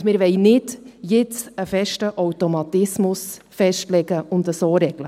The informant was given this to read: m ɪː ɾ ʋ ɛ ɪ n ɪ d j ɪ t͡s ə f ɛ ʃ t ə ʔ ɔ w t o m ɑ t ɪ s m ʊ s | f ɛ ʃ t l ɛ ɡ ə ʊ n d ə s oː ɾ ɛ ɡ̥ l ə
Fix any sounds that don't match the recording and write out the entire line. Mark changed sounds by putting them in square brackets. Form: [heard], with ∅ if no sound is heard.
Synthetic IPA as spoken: m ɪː ɾ ʋ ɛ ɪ n ɪ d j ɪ t͡s ə f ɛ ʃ t ə ʔ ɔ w t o m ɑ t ɪ s m ʊ s | f ɛ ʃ t l ɛ ɡ ə ʊ n d ə s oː ɾ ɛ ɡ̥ l ə